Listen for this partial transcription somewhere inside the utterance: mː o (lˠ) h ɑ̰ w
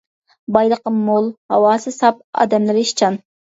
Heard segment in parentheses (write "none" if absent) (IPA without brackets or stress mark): lˠ